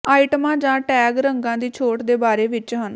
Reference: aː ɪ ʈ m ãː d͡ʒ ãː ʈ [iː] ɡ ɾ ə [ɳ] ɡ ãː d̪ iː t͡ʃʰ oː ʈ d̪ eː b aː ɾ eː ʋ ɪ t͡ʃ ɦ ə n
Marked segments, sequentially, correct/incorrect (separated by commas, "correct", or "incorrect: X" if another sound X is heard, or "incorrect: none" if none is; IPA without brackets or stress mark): incorrect: ɛː, incorrect: ŋ